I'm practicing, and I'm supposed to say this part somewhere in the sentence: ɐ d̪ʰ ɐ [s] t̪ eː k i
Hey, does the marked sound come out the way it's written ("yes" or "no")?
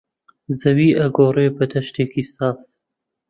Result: no